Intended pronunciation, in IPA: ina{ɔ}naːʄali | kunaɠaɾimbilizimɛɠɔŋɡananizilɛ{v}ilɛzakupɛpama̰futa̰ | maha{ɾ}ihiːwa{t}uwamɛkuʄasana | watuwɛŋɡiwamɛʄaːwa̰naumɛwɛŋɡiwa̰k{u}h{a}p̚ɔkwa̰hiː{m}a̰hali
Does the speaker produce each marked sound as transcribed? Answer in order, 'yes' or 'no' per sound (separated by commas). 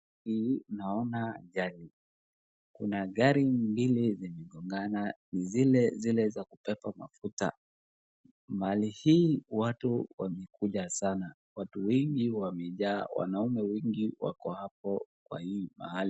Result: yes, no, no, yes, no, yes, yes